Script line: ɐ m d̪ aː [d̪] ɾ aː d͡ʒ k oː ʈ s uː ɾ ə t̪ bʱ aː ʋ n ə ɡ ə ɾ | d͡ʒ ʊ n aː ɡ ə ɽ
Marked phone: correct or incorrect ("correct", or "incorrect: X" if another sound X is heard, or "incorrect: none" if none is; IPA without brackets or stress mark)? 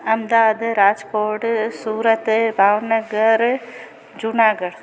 correct